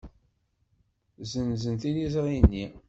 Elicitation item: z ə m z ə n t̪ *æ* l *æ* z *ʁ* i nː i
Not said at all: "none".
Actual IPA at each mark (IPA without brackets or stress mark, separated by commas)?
i, i, ʁ